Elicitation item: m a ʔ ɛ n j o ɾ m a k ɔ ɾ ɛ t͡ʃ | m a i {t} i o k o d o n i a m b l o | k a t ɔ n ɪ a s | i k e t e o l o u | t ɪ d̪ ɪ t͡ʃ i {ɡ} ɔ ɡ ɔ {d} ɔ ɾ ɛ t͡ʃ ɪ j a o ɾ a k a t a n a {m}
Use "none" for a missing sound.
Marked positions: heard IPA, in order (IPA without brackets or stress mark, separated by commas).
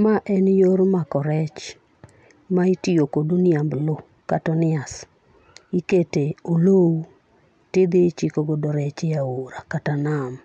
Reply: t, k, d, m